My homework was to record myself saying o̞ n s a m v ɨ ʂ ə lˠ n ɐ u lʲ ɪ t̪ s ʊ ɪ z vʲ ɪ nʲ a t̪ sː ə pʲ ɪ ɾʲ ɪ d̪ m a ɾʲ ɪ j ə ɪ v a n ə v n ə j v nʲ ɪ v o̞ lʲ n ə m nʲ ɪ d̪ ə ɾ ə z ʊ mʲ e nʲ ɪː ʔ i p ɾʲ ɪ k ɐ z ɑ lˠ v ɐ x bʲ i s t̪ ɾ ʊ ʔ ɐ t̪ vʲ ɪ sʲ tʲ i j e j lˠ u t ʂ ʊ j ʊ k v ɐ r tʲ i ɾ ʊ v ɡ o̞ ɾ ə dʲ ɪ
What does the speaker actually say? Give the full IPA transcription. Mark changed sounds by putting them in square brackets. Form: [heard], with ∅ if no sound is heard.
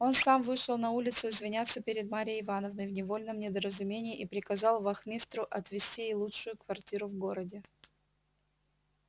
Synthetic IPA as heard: o̞ n s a m v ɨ ʂ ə lˠ n ɐ u lʲ ɪ t̪ s ʊ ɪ z vʲ ɪ nʲ a t̪ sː ə pʲ ɪ ɾʲ ɪ d̪ m a ɾʲ ɪ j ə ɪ v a n ə v n ə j v nʲ ɪ v o̞ lʲ n ə m nʲ ɪ d̪ ə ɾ ə z ʊ mʲ e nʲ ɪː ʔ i p ɾʲ ɪ k ɐ z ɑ lˠ v ɐ x [mʲ] i s t̪ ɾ ʊ ʔ ɐ t̪ vʲ ɪ sʲ tʲ i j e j lˠ u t ʂ ʊ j ʊ k v ɐ r tʲ i ɾ ʊ v ɡ o̞ ɾ ə dʲ ɪ